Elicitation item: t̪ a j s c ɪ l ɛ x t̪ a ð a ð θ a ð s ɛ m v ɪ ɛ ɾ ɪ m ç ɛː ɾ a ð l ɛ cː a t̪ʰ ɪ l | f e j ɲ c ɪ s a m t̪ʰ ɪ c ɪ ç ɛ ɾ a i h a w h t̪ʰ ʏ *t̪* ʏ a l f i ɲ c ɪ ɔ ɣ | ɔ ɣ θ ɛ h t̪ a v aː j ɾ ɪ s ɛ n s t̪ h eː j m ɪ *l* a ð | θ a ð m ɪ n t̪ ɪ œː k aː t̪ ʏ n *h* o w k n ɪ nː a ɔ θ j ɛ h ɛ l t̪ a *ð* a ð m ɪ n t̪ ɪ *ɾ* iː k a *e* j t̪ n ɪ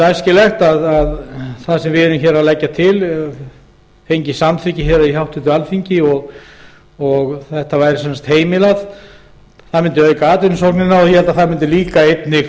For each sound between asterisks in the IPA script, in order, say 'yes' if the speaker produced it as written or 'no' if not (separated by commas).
yes, yes, no, no, no, yes